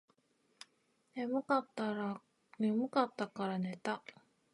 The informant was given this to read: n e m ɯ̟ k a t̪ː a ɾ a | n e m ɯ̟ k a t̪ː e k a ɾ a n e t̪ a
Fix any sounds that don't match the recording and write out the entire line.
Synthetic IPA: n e m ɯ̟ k a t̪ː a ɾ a | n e m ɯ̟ k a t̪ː a k a ɾ a n e t̪ a